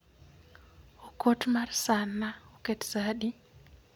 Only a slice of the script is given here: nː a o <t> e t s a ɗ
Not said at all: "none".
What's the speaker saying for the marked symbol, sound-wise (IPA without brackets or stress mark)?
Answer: k